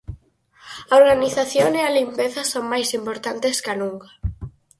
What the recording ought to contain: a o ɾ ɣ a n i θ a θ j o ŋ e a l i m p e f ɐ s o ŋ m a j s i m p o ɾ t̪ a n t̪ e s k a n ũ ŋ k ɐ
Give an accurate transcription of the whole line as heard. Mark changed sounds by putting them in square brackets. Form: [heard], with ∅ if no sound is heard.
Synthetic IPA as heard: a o ɾ ɣ a n i θ a θ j o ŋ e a l i m p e [θ] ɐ s o ŋ m a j s i m p o ɾ t̪ a n t̪ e s k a n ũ ŋ k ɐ